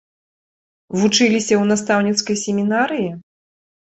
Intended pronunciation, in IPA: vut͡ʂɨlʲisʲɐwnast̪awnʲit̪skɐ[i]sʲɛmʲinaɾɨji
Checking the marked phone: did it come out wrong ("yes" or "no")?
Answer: yes